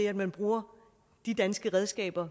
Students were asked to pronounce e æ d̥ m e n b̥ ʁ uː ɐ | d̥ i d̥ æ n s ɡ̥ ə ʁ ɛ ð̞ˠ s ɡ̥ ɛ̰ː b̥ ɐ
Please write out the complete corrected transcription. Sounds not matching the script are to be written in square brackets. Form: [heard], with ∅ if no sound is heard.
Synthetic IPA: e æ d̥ m [æ] n b̥ ʁ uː ɐ | d̥ i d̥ æ n s ɡ̥ ə ʁ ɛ ð̞ˠ s ɡ̥ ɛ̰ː b̥ ɐ